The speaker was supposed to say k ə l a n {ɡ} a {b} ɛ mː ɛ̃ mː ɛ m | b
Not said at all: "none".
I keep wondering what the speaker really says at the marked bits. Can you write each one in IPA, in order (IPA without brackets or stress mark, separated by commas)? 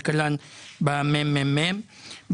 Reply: b, m